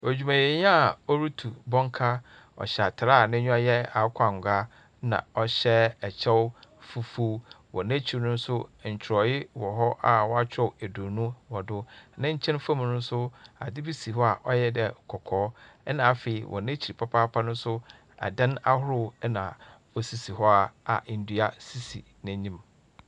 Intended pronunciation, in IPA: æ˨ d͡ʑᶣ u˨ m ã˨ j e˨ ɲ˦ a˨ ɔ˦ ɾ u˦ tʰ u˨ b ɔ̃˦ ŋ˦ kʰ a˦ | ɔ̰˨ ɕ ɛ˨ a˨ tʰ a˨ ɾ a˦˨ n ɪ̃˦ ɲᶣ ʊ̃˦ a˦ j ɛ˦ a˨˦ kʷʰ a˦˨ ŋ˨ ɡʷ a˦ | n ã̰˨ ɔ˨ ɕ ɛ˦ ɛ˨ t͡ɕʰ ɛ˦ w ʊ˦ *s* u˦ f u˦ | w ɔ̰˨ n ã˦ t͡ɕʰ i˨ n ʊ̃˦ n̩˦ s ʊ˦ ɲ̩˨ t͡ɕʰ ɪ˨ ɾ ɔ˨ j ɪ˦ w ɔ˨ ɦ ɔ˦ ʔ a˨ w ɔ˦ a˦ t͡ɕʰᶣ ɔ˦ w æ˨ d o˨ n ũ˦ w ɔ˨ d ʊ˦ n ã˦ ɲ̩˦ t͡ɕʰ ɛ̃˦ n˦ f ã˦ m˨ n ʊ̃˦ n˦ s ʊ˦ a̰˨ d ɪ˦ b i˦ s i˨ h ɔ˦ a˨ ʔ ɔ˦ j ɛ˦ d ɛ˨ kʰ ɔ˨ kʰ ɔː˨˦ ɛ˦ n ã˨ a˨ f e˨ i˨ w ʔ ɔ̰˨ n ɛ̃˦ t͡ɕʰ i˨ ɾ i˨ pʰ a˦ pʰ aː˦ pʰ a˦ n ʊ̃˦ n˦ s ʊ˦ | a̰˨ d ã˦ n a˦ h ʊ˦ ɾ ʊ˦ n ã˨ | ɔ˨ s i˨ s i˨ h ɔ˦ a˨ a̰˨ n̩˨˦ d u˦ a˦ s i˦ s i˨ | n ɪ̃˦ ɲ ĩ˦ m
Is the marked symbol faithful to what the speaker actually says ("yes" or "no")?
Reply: no